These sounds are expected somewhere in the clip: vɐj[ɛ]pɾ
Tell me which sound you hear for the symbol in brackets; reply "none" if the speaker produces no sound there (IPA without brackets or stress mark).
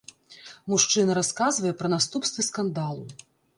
ɛ